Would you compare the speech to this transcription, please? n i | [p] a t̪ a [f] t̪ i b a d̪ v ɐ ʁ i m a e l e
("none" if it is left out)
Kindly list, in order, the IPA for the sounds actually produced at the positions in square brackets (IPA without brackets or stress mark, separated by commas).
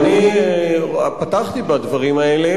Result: p, χ